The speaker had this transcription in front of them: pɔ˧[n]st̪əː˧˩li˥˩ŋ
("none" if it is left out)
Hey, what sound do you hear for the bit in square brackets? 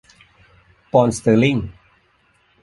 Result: n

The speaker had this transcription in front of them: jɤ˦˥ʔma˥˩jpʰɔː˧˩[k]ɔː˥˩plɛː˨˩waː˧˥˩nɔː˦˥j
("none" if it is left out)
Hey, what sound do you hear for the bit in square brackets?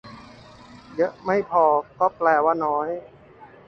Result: k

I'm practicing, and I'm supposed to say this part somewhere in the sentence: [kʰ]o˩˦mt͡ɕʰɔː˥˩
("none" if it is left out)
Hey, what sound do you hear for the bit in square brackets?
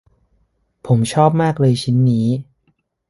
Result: pʰ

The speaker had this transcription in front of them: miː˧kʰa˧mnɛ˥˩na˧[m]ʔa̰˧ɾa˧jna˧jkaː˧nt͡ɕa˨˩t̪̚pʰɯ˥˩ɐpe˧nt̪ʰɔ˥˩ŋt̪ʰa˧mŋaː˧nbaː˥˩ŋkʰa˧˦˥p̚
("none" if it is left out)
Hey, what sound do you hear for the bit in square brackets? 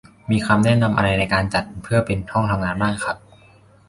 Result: m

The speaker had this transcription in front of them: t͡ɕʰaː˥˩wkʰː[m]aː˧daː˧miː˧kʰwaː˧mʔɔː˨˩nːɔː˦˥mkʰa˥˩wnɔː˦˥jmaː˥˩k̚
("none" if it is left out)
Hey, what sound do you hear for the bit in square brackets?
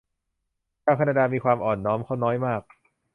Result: n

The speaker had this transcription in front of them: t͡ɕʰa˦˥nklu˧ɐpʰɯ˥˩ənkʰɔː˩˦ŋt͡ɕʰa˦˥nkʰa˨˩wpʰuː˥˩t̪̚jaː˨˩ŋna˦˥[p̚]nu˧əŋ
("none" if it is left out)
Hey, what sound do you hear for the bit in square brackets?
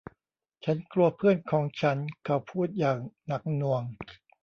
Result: k̚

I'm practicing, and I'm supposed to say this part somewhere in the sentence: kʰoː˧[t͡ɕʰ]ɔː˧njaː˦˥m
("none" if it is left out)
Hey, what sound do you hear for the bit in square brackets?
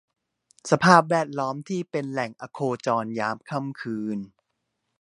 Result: t͡ɕ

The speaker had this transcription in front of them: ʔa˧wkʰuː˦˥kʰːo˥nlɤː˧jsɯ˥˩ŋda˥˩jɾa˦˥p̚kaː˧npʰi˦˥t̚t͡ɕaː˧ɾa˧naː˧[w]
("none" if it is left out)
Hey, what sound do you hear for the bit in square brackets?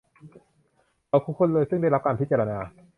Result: none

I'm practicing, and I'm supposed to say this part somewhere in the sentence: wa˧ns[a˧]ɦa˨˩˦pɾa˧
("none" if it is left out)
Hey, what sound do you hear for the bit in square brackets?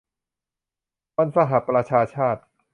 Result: a˧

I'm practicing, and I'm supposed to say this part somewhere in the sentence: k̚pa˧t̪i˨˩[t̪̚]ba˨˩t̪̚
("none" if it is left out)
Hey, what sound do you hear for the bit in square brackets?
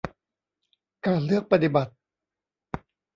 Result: none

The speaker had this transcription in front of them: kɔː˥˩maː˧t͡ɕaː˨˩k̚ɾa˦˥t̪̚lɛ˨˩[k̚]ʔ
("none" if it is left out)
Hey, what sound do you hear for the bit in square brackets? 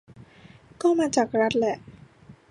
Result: none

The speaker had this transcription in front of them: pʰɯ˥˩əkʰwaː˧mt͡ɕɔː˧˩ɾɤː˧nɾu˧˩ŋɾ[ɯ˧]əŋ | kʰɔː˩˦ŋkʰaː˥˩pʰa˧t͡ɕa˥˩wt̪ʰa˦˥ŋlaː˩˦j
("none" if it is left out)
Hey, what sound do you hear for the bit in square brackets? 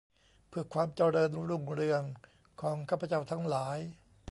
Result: ɯ˧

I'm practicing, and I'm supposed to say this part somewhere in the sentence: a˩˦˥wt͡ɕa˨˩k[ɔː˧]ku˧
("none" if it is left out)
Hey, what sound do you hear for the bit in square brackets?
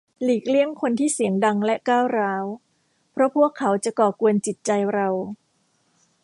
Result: ɔː˨˩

